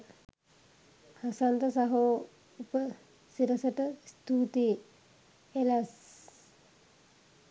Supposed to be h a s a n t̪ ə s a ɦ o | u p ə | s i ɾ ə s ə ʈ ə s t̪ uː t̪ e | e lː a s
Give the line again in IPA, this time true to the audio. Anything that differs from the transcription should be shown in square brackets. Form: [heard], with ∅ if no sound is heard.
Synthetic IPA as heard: h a s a n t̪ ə s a ɦ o | u p ə | s i ɾ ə s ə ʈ ə s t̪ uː t̪ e | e [l] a s